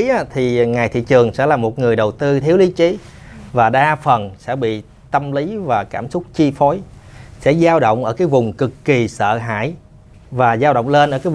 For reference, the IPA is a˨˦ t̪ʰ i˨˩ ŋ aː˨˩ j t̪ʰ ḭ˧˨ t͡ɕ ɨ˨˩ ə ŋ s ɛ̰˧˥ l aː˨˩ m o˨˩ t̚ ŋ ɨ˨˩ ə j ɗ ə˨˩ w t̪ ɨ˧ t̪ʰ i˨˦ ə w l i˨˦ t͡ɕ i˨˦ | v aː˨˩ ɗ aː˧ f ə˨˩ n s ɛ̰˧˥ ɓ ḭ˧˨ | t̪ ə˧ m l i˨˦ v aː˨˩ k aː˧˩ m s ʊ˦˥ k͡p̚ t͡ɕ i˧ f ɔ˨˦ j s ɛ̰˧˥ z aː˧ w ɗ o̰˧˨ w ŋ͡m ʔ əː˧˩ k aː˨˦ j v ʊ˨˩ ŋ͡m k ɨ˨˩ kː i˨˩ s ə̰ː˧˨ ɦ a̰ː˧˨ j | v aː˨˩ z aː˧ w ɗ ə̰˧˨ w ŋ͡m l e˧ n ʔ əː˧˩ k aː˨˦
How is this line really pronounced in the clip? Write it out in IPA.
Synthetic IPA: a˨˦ t̪ʰ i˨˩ ŋ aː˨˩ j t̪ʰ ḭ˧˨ t͡ɕ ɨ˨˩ ə ŋ s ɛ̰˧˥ l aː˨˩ m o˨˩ t̚ ŋ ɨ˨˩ ə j ɗ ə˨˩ w t̪ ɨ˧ t̪ʰ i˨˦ ə w l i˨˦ t͡ɕ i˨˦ | v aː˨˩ ɗ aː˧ f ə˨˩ n s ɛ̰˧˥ ɓ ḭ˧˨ | t̪ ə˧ m l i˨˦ v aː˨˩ k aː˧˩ m s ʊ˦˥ k͡p̚ t͡ɕ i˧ f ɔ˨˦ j s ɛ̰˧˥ z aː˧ w ɗ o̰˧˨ w ŋ͡m ʔ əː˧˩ k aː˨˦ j v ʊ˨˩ ŋ͡m k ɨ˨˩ kː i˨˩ s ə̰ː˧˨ ɦ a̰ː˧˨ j | v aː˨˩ z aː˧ w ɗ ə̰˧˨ w ŋ͡m l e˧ n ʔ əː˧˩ k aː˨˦